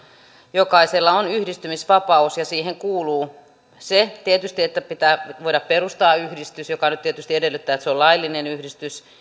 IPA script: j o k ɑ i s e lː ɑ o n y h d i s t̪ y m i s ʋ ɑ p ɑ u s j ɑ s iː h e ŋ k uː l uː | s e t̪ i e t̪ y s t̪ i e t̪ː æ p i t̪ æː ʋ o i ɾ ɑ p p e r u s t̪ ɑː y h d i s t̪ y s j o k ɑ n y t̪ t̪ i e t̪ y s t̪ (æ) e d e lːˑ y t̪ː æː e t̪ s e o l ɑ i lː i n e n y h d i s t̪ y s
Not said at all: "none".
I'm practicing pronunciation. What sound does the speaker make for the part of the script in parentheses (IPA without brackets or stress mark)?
i